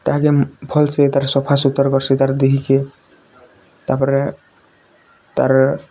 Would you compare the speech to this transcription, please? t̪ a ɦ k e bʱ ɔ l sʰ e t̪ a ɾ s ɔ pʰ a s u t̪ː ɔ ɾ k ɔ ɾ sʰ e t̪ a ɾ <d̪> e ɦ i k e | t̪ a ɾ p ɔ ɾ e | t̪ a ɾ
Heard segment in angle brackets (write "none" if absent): d̪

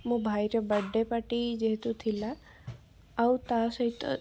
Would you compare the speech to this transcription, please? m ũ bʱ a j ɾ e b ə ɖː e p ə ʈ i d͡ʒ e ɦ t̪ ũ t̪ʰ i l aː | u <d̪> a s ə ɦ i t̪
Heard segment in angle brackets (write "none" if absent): t̪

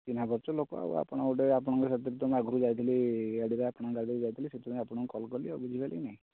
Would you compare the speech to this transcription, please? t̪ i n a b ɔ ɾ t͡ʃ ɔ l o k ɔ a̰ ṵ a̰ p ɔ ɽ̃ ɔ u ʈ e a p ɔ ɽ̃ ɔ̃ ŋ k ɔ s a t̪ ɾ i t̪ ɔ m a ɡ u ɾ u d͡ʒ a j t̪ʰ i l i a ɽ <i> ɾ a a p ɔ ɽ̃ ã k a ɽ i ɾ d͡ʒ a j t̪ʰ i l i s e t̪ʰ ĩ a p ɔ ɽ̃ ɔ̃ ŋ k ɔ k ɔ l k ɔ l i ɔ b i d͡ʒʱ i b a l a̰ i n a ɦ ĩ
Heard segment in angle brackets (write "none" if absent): i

